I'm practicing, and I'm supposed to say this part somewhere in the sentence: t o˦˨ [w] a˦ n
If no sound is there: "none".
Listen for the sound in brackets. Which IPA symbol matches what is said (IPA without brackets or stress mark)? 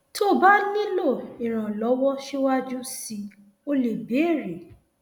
b